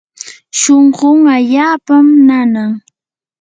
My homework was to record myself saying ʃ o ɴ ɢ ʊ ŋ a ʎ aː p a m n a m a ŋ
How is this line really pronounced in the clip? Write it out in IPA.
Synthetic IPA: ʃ o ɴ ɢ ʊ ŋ a ʎ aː p a m n a n a ŋ

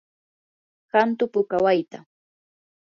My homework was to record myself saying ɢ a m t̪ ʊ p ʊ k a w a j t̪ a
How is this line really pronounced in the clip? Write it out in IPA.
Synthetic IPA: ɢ a n t̪ ʊ p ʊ k a w a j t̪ a

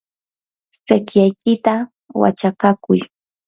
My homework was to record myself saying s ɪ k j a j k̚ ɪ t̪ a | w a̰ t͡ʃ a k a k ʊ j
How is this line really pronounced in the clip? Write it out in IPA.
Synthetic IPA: s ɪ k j a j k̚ ɪ t̪ a | w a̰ t͡ʃ a k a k ʊ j

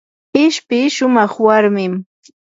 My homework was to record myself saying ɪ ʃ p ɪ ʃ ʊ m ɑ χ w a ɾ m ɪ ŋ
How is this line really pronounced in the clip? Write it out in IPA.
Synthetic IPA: ɪ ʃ p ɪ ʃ ʊ m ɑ χ w a ɾ m ɪ m

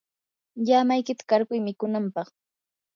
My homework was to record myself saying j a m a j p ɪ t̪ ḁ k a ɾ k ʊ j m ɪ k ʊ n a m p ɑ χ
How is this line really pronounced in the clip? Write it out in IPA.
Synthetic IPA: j a m a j k ɪ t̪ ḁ k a ɾ k ʊ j m ɪ k ʊ n a m p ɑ χ

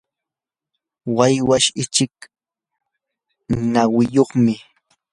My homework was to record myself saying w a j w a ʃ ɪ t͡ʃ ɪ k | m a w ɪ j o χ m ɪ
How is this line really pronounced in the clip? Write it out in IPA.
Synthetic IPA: w a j w a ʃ ɪ t͡ʃ ɪ k | n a w ɪ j o χ m ɪ

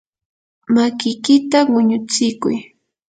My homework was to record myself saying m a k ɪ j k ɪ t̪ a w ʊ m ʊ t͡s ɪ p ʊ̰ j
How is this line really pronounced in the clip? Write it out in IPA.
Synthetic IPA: m a k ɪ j k ɪ t̪ a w ʊ ɲ ʊ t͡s ɪ k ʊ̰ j

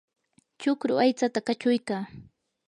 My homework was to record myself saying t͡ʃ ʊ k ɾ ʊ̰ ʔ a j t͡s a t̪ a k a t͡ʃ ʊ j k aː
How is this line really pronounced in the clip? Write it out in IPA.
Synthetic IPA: t͡ʃ ʊ k ɾ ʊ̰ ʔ a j t͡s a t̪ a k a t͡ʃ ʊ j k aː

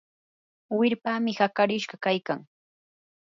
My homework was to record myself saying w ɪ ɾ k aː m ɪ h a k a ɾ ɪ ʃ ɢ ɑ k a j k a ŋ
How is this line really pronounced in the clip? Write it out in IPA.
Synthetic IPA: w ɪ ɾ p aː m ɪ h a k a ɾ ɪ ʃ ɢ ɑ k a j k a ŋ

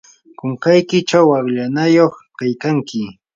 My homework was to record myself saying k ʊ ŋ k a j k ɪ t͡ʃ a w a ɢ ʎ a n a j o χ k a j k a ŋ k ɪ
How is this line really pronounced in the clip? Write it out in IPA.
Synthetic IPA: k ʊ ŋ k a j k ɪ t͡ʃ a w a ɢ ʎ a n a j o χ k a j k a ŋ k ɪ

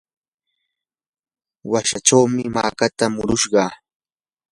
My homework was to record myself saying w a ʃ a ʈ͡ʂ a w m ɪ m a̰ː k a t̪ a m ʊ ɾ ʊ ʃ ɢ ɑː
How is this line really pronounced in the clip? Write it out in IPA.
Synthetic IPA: w a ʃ a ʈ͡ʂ a w m ɪ m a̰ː k a t̪ a m ʊ ɾ ʊ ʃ ɢ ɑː

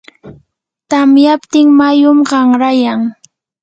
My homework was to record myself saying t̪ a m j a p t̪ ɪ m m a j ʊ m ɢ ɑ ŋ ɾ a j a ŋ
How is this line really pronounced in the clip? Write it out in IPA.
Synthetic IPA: t̪ a m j a p t̪ ɪ ŋ m a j ʊ m ɢ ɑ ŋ ɾ a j a ŋ

